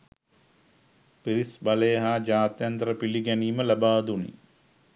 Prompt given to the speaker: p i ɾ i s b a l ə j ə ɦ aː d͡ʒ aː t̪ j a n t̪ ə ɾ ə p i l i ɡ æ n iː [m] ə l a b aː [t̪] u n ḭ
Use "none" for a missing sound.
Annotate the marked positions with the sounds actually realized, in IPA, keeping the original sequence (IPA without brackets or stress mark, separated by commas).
m, d̪